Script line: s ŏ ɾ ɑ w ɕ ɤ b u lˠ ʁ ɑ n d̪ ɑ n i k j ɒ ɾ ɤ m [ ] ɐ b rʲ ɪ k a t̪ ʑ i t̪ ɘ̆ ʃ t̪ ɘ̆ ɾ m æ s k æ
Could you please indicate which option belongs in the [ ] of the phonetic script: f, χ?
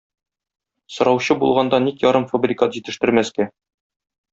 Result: f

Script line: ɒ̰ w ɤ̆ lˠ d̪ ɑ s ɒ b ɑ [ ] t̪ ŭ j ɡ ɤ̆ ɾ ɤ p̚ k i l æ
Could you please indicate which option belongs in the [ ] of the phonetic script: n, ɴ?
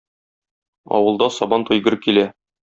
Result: n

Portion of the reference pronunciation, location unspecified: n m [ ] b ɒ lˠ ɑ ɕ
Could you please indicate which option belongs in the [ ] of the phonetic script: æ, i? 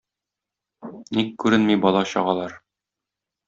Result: i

